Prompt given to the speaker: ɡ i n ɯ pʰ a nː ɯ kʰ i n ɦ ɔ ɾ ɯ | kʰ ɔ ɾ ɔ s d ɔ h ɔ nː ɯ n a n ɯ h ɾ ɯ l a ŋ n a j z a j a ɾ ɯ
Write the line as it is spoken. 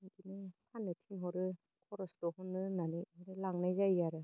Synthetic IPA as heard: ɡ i n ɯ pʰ a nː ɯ tʰ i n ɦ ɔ ɾ ɯ | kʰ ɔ ɾ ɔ s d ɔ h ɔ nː ɯ n a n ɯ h ɾ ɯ l a ŋ n a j z a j a ɾ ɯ